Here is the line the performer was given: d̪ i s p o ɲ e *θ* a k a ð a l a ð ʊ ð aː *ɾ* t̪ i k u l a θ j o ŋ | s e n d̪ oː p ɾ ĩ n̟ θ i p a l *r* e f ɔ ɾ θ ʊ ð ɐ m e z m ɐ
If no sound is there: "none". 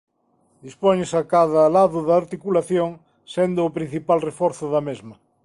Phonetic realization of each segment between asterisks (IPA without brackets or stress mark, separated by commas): s, ɾ, r